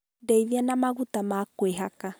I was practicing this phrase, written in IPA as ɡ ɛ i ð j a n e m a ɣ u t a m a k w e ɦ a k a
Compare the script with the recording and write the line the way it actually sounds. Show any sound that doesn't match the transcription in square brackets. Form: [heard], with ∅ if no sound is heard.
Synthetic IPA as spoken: [d] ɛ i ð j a n [a] m a ɣ u t a m a k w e ɦ a k a